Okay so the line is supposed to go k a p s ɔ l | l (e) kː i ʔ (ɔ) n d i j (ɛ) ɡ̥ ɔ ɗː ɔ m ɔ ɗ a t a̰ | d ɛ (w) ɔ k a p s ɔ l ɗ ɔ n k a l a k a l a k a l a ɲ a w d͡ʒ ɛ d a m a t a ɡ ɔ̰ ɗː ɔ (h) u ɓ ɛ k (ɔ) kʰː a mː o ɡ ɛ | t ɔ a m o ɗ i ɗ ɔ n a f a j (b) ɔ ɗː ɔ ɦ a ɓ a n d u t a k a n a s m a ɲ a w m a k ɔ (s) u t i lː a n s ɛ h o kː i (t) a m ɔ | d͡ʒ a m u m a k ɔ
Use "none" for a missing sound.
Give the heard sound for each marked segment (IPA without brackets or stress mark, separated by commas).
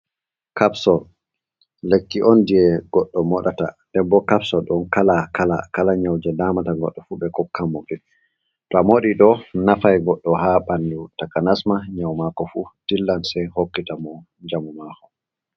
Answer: e, ɔ, ɛ, b, f, ɔ, ɡ, f, t